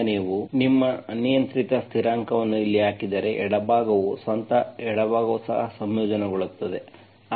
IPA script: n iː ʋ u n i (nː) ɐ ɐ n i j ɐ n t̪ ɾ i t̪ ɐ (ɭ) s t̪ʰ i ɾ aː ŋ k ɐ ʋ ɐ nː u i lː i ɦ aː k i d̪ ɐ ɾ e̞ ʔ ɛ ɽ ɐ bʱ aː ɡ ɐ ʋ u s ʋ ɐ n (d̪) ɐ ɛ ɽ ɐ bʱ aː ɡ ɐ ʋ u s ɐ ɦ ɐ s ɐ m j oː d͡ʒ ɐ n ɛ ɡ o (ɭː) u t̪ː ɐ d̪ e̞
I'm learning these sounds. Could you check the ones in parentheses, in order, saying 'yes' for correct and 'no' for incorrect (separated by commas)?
no, no, no, no